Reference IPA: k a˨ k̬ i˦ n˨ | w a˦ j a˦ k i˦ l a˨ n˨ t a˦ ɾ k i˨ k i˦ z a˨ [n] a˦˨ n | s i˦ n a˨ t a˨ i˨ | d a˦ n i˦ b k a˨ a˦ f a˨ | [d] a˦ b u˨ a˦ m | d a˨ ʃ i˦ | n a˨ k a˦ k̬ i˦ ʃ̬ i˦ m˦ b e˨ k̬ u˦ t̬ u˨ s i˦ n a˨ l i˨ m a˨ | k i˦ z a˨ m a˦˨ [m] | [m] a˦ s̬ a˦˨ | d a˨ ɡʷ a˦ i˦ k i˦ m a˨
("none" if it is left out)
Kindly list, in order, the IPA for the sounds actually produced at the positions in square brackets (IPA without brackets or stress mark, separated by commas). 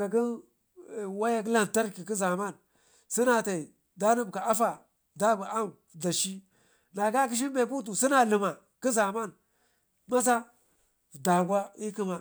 m, d, n, m